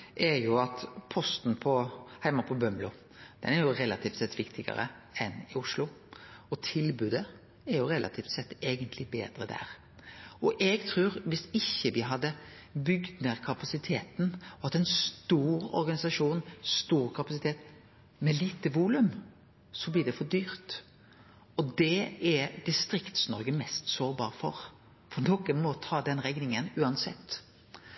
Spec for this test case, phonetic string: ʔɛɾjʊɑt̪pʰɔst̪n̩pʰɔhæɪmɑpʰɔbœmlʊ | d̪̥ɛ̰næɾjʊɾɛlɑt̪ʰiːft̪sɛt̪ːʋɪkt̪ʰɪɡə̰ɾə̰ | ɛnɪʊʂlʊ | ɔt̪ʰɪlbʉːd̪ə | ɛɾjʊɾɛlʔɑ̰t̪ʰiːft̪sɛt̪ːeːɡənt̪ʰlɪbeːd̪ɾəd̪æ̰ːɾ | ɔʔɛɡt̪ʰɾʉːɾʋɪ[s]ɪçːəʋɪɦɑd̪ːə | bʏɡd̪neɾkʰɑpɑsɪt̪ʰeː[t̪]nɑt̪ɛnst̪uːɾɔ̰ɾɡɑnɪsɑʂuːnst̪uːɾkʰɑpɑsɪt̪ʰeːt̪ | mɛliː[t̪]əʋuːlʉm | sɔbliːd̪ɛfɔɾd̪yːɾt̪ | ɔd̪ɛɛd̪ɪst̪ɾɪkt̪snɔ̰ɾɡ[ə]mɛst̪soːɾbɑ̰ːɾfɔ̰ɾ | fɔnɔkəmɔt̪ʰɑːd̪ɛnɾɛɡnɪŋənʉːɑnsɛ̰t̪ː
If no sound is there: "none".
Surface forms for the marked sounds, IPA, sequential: s, t̪, t̪, ə

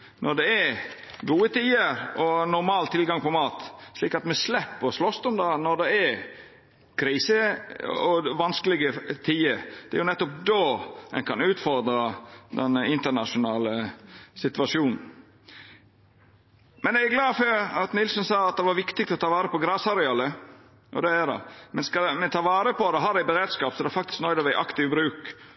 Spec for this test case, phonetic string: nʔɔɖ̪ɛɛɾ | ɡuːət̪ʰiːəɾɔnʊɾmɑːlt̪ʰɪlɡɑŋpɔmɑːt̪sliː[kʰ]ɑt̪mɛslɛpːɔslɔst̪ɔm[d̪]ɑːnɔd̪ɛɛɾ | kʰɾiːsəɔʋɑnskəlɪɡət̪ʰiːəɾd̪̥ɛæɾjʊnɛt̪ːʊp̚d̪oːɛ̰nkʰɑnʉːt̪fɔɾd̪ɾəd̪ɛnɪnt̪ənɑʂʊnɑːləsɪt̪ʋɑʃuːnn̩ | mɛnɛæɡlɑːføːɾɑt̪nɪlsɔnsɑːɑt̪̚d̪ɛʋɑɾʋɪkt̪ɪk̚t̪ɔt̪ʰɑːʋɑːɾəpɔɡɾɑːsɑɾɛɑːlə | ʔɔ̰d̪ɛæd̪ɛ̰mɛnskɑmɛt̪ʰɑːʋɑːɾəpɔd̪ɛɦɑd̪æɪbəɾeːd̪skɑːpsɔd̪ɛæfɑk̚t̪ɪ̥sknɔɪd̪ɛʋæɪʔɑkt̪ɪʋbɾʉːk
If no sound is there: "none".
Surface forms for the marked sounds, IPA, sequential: k, d̪

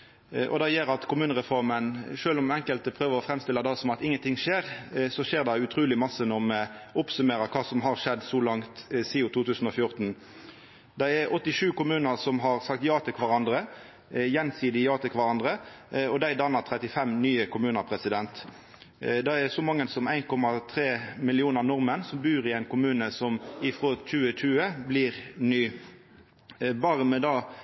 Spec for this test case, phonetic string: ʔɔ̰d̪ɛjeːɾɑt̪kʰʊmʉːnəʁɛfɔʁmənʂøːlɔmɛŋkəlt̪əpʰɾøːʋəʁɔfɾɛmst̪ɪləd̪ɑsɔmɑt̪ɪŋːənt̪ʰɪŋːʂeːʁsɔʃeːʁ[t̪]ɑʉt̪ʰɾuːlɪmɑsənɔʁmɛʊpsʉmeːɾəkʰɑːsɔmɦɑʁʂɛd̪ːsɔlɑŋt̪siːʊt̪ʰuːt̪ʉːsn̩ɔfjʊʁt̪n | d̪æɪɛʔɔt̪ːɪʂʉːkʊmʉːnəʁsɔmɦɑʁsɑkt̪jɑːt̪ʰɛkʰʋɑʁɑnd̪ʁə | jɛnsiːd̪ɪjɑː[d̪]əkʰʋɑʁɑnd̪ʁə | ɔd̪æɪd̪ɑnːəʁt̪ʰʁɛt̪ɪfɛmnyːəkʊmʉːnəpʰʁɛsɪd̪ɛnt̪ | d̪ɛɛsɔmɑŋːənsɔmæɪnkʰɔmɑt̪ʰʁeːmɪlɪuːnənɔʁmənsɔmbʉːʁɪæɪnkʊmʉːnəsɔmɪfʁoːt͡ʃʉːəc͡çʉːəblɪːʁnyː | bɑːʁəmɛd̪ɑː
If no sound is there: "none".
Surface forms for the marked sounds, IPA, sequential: d̪, t̪

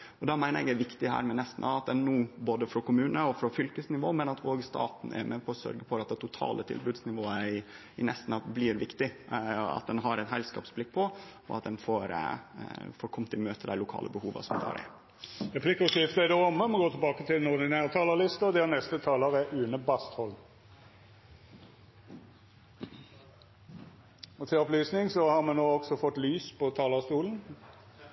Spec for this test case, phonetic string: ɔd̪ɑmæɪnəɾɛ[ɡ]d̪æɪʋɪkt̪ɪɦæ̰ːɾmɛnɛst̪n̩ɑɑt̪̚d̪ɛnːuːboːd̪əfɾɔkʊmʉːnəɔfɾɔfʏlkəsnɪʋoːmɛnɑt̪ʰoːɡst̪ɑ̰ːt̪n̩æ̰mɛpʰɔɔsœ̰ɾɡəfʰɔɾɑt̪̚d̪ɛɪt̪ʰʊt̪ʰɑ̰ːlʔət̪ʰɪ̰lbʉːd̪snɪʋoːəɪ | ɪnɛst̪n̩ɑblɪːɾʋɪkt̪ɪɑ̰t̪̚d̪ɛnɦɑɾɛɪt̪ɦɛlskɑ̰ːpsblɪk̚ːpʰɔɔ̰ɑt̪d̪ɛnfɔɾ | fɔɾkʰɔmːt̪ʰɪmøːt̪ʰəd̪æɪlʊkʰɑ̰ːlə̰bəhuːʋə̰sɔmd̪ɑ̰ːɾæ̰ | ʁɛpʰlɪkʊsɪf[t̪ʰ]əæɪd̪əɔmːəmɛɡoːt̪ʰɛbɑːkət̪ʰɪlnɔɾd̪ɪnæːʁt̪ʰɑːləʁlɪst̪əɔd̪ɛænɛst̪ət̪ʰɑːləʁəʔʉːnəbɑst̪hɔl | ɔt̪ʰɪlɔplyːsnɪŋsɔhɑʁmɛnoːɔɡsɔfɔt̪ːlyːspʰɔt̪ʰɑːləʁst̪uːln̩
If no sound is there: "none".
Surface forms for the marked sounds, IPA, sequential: ɡ, t̪

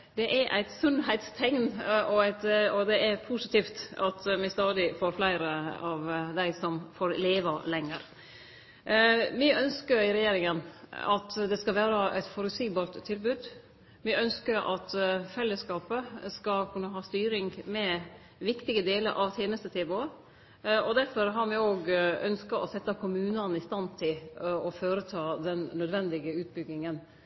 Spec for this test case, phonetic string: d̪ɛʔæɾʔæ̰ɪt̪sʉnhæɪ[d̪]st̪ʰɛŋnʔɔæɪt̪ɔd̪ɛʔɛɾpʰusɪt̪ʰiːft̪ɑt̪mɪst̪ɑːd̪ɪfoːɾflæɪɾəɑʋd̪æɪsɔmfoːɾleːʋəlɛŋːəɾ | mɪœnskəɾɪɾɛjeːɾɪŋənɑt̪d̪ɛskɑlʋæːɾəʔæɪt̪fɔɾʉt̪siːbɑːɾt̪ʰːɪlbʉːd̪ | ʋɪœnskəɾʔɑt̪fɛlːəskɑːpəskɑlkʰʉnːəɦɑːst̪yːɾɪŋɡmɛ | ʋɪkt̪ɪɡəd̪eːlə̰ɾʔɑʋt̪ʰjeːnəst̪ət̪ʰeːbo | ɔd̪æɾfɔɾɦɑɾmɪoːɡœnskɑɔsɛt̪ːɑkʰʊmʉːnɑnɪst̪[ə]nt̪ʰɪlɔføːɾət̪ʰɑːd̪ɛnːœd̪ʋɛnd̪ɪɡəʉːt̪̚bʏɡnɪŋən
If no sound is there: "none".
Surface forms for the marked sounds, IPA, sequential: t̪, ɑ

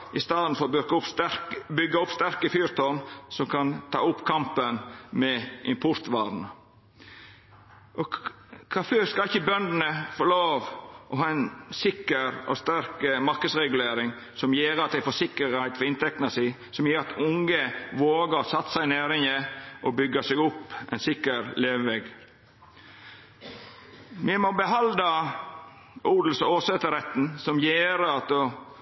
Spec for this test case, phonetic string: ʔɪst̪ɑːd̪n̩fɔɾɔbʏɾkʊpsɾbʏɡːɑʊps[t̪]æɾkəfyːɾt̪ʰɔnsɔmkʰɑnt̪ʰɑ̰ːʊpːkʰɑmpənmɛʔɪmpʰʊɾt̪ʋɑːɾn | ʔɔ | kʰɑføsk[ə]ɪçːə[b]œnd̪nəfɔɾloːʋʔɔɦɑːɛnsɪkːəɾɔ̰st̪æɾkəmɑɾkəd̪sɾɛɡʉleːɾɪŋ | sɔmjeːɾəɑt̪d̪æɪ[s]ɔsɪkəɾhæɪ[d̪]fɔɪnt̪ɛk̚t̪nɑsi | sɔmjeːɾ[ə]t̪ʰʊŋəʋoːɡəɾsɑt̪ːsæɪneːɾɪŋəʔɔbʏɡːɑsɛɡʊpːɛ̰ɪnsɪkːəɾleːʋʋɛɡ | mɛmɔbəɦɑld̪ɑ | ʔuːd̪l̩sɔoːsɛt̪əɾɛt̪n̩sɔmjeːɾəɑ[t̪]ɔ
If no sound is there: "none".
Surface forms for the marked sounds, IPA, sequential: t̪, ɑ, b, f, t̪, ɑ, t̪

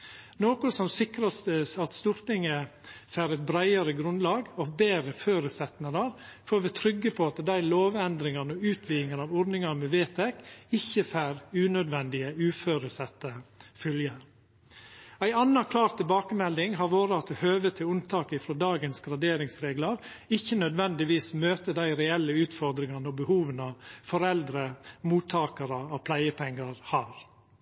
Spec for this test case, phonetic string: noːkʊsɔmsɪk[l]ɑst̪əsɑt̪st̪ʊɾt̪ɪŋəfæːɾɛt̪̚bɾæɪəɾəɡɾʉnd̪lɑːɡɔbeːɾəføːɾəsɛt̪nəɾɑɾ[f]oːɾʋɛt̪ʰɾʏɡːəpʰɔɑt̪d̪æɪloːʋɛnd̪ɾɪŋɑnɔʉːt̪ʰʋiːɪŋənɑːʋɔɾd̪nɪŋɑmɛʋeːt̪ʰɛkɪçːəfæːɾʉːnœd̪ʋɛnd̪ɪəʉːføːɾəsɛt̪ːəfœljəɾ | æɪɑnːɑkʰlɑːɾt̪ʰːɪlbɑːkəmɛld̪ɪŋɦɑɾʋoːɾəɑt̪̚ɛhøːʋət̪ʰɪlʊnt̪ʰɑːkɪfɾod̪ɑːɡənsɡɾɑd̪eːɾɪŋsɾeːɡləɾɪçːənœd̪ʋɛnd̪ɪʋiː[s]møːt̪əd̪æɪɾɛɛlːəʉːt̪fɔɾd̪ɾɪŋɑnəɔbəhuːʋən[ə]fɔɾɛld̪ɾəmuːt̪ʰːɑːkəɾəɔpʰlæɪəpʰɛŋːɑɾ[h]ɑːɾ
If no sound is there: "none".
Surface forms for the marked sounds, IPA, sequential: ɾ, f, s, ɑ, h

